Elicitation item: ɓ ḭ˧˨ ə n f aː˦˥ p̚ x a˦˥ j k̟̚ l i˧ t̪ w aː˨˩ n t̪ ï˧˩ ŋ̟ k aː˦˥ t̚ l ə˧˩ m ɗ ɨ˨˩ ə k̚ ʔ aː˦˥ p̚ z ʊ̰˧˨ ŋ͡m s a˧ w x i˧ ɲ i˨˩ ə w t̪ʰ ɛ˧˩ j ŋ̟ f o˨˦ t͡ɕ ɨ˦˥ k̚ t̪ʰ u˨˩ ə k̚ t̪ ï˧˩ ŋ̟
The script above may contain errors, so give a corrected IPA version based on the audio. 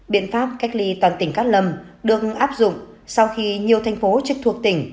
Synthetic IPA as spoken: ɓ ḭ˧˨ ə n f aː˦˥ p̚ k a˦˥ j k̟̚ l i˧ t̪ w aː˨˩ n t̪ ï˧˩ ŋ̟ k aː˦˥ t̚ l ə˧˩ m ɗ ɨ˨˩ ə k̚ ʔ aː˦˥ p̚ z ʊ̰˧˨ ŋ͡m s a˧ w x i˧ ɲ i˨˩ ə w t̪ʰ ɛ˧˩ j ŋ̟ f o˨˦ t͡ɕ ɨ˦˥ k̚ t̪ʰ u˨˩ ə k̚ t̪ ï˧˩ ŋ̟